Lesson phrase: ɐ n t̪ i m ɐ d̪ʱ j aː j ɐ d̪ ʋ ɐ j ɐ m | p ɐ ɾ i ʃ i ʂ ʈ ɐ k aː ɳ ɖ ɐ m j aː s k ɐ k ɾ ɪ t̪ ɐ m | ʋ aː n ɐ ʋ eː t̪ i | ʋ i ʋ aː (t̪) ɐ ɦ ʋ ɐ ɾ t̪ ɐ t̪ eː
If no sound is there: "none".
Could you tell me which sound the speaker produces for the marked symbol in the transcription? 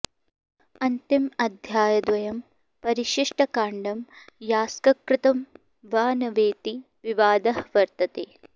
d̪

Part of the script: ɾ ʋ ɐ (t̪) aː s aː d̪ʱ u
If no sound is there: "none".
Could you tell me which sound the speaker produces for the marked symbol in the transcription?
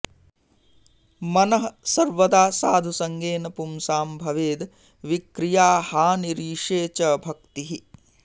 d̪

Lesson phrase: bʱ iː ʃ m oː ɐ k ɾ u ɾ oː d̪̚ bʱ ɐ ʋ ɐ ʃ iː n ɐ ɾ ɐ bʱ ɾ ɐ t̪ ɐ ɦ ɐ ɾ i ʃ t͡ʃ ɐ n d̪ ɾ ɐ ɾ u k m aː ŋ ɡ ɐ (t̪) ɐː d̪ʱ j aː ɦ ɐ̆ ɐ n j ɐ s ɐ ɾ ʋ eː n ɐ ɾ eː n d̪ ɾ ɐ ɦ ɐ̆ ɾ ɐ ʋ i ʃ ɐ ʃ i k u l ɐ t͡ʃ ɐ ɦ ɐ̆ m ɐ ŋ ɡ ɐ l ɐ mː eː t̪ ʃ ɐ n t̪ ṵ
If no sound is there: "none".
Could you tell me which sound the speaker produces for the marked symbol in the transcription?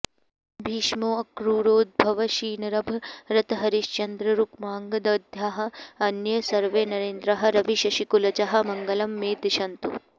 d̪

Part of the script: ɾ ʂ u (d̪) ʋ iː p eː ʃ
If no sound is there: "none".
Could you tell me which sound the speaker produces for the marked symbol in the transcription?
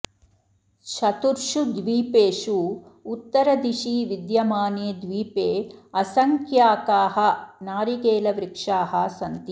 d̪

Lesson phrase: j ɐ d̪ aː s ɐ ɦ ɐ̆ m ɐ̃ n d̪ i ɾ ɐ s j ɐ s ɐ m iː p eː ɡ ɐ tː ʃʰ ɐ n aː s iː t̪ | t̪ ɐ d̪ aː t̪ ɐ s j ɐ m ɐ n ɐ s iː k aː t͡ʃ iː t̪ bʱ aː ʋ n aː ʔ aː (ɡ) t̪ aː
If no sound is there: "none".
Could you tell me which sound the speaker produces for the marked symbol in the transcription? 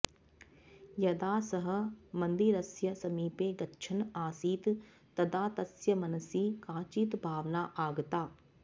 ɡ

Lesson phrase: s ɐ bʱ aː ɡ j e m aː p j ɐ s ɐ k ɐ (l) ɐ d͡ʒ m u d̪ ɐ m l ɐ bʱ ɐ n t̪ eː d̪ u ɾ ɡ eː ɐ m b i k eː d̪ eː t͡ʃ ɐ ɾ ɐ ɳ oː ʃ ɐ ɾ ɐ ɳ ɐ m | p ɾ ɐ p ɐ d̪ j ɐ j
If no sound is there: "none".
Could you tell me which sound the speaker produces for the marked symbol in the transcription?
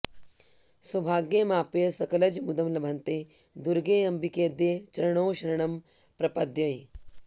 l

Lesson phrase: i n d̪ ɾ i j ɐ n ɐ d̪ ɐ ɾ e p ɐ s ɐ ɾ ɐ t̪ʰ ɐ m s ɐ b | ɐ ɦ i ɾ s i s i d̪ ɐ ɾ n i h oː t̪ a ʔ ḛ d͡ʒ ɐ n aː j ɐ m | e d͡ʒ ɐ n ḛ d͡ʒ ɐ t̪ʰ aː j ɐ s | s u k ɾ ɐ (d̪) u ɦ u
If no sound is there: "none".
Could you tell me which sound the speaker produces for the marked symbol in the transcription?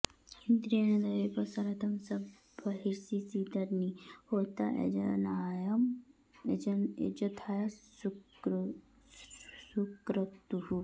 t̪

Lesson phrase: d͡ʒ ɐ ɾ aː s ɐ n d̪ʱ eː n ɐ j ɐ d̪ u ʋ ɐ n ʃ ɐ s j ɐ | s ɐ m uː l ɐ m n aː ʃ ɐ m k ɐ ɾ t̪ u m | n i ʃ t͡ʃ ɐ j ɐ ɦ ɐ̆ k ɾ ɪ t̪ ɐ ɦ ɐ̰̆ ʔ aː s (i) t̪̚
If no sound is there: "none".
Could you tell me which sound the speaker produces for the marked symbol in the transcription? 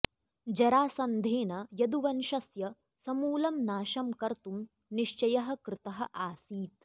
iː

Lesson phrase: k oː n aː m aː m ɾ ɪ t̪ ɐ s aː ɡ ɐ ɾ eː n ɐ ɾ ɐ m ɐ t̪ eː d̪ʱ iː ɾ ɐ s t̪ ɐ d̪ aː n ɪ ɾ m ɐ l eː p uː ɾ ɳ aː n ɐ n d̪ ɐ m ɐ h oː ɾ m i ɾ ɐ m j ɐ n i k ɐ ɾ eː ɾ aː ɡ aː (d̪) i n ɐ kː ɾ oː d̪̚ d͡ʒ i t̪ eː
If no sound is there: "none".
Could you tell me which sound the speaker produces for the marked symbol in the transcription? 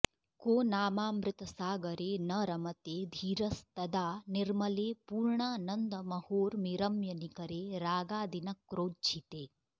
d̪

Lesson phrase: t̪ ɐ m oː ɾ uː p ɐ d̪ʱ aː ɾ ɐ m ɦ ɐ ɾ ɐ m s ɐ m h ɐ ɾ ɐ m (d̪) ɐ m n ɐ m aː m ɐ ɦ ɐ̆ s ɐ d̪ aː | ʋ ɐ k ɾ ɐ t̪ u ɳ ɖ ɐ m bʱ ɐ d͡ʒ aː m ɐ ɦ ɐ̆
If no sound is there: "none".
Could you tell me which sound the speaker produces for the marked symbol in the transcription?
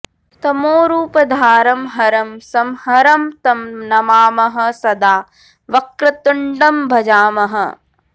t̪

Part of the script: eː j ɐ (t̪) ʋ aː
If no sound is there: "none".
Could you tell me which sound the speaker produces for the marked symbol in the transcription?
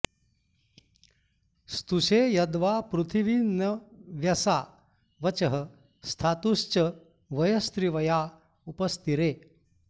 d̪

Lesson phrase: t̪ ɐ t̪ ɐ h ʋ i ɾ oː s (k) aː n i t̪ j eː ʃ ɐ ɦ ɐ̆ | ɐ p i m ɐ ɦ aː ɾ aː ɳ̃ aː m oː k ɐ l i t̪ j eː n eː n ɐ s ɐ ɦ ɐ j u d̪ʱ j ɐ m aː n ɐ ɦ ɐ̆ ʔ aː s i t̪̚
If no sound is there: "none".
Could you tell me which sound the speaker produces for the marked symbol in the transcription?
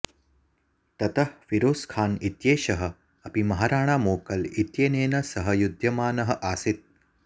kʰ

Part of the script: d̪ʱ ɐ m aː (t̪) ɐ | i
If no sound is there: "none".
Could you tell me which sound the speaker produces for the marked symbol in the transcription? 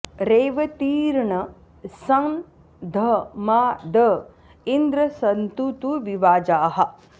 d̪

